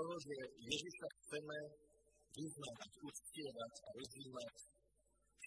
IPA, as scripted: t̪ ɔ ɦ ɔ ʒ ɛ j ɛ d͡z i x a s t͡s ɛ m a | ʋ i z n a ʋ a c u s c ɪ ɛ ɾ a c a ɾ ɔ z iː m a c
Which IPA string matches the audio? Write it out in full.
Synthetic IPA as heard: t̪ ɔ ɦ ɔ ʒ ɛ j ɛ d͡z i s a x t͡s ɛ m ɛ | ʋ i z n a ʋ a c u s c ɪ ɛ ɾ a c a ɾ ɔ z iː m a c